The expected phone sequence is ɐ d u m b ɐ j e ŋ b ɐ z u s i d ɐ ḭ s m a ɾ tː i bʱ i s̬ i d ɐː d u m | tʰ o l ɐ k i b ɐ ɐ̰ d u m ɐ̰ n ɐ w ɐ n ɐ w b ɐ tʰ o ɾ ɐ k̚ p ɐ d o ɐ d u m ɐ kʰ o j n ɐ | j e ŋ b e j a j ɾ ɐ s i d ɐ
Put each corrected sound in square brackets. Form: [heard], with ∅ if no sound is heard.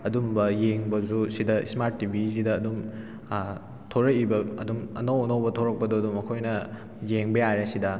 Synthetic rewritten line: ɐ d u m b ɐ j e ŋ b ɐ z u s i d ɐ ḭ s m a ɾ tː i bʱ i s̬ i d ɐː d u m | tʰ o [ɾ] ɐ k i b ɐ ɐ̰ d u m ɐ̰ n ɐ w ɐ n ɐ w b ɐ tʰ o ɾ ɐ k̚ p ɐ d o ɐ d u m ɐ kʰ o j n ɐ | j e ŋ b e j a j ɾ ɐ s i d ɐ